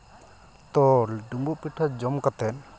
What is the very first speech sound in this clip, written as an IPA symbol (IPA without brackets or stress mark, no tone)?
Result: t̪